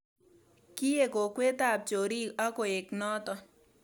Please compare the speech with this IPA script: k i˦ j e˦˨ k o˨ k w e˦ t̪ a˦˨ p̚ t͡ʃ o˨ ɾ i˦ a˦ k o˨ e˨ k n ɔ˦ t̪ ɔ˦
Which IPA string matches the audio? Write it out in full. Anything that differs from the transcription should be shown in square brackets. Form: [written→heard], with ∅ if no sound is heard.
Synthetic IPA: k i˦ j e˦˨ k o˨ k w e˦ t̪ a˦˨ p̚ t͡ʃ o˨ ɾ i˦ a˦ k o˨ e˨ k n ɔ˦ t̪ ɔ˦